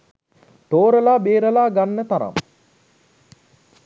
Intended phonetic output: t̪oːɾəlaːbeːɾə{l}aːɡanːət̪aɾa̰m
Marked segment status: correct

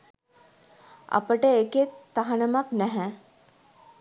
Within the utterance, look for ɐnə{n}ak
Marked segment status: incorrect: m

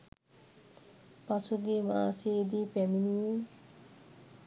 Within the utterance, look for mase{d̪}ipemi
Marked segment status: correct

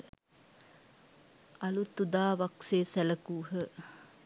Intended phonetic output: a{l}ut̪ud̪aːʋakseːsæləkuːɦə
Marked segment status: correct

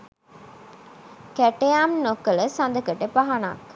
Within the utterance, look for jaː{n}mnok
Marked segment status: incorrect: none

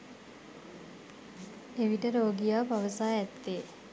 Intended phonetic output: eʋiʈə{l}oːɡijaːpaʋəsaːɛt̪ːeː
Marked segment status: incorrect: ɾ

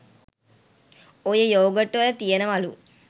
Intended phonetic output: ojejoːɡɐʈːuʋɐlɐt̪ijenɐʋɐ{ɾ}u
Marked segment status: incorrect: l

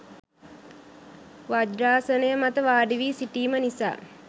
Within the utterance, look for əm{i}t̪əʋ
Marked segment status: incorrect: a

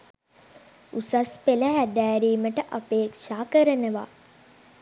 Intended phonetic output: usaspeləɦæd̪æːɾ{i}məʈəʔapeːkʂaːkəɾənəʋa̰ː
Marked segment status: incorrect: iː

